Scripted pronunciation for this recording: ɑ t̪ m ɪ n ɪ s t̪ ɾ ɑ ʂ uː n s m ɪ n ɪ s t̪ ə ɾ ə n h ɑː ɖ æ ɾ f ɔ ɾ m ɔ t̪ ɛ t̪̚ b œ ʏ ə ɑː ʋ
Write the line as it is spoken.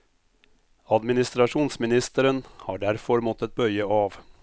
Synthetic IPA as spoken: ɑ d̪ m ɪ n ɪ s t̪ ɾ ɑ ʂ uː n s m ɪ n ɪ s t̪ ə ɾ ə n h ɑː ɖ æ ɾ f ɔ ɾ m ɔ t̪ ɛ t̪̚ b œ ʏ ə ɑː ʋ